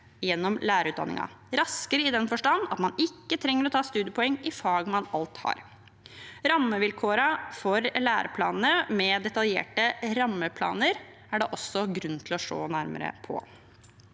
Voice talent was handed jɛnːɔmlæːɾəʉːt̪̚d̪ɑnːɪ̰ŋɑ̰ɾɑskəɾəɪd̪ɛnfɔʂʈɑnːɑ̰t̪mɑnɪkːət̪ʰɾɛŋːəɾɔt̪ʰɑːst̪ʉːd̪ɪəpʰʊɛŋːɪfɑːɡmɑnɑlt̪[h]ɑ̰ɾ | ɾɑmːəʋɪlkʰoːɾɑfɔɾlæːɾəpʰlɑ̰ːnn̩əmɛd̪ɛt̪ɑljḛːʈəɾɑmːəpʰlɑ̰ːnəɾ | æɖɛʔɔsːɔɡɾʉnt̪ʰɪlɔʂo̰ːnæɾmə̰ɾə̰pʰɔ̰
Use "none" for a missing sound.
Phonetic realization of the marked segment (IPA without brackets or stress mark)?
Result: h